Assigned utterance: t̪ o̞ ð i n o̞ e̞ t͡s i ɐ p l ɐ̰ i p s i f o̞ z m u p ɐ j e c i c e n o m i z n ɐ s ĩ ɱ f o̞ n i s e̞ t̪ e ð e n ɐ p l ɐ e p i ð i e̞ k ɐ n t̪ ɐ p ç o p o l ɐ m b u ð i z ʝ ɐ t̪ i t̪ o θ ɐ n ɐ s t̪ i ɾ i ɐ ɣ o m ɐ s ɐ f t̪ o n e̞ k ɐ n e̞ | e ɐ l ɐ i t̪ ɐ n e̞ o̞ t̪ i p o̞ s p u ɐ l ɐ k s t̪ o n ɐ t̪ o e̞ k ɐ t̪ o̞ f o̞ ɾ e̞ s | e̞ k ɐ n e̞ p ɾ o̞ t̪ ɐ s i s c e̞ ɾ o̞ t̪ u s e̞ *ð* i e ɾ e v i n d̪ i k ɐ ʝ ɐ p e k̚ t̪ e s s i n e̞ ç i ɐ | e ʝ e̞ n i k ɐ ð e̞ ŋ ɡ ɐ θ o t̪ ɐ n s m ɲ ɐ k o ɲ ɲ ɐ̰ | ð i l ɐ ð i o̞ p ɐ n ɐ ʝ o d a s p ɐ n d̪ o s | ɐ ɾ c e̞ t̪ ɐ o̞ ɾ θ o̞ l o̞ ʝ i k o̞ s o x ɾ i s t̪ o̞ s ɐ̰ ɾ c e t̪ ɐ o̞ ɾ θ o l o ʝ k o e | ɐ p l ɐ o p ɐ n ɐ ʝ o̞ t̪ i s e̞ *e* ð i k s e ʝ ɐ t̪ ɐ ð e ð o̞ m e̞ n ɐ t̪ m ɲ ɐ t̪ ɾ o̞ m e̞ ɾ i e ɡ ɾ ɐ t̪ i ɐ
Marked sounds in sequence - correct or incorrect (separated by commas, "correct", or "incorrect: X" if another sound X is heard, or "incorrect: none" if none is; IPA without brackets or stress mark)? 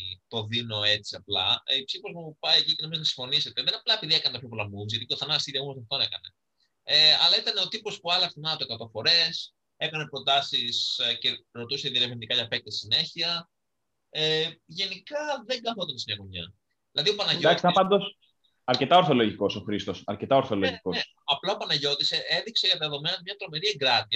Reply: correct, correct